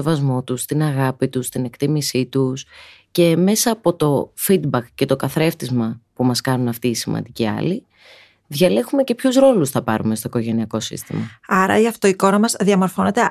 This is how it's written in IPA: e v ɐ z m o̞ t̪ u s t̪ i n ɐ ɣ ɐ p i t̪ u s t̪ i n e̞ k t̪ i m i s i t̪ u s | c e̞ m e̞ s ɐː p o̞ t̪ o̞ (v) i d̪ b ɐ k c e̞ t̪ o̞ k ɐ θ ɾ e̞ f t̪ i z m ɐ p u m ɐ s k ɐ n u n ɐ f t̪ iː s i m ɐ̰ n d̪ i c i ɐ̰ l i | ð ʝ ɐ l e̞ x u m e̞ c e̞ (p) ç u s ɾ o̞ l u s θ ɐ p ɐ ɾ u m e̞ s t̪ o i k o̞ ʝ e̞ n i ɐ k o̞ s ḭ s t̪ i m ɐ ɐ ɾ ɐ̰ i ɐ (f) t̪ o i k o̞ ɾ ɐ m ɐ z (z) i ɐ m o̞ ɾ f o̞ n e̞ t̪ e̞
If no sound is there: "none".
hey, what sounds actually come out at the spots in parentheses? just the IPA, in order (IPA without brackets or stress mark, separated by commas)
f, p, f, ð